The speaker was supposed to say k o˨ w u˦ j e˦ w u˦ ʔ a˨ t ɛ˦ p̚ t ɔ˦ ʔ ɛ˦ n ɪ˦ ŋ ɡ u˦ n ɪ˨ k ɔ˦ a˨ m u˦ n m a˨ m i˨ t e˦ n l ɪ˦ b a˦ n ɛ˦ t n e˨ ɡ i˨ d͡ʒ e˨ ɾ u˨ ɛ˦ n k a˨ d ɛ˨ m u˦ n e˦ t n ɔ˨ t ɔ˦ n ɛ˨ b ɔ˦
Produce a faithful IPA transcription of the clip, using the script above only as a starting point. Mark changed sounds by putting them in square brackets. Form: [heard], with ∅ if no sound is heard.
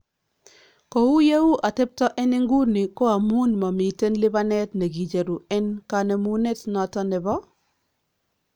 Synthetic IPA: k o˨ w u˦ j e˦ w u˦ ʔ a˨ t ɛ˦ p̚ t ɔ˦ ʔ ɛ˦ n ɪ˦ ŋ ɡ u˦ n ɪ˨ k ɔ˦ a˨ m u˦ n m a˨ m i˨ t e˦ n l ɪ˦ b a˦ n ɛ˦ t n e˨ ɡ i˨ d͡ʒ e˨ ɾ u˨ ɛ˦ n k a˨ [n] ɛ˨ m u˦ n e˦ t n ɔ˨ t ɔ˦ n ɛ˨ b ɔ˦